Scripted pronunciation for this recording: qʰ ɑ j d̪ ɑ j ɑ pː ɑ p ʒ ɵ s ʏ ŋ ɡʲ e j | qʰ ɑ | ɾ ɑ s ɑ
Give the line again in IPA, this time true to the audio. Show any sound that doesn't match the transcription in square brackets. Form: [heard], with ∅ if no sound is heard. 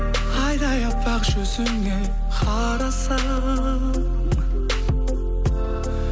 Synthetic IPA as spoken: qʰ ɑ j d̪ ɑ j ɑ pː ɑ [q] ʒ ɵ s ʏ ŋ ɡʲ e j | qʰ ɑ | ɾ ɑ s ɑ

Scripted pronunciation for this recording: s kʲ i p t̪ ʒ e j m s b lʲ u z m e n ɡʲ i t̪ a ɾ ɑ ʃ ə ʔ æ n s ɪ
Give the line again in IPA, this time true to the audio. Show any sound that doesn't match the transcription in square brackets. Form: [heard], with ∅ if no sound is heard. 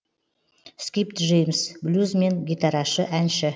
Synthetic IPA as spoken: s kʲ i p t̪ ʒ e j m s b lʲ u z m e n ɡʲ i t̪ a ɾ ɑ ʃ ə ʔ æ n [ʃ] ɪ

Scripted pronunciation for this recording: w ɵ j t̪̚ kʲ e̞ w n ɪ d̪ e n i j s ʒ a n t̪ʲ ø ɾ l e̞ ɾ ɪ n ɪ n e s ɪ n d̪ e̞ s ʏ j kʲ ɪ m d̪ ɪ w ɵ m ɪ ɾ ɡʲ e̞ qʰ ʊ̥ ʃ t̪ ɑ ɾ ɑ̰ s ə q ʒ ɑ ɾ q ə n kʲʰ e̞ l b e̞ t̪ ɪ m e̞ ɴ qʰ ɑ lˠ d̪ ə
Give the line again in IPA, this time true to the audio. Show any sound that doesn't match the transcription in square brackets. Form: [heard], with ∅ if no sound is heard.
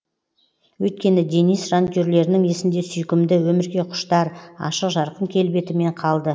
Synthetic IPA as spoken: w ɵ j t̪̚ kʲ e̞ [∅] n ɪ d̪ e n i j s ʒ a n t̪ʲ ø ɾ l e̞ ɾ ɪ n ɪ [ŋ] e s ɪ n d̪ e̞ s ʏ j kʲ ɪ m d̪ ɪ w ɵ m ɪ ɾ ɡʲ e̞ qʰ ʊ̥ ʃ t̪ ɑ ɾ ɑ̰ [ʃ] ə q ʒ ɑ ɾ q ə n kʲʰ e̞ l b e̞ t̪ ɪ m e̞ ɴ qʰ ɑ lˠ d̪ ə

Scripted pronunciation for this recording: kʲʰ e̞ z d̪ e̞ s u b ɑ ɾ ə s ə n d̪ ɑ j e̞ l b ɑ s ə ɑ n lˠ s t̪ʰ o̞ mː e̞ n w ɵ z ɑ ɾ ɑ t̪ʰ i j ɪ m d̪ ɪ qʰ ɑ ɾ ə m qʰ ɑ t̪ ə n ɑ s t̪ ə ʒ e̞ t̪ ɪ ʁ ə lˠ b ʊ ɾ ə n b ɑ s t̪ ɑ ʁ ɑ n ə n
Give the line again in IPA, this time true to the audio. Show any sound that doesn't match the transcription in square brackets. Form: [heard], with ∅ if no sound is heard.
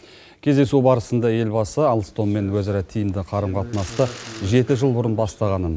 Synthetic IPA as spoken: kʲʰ e̞ z d̪ e̞ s u b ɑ ɾ ə s ə n d̪ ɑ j e̞ l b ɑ s ə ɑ [∅] lˠ s [t̪] o̞ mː e̞ n w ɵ z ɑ ɾ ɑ t̪ʰ i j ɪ m d̪ ɪ qʰ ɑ ɾ ə m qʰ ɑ t̪ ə n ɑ s t̪ ə ʒ e̞ t̪ ɪ [ʒ] ə lˠ b ʊ ɾ ə n b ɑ s t̪ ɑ ʁ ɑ n ə n

